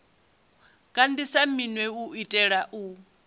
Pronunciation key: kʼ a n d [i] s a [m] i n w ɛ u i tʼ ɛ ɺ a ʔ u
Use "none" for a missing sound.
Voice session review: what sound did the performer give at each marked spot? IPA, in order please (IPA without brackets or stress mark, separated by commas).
i, m